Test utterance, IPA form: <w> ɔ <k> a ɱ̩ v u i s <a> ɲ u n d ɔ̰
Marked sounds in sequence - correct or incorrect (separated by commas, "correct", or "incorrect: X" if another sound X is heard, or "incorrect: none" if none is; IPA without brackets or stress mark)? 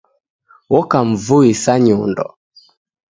correct, correct, correct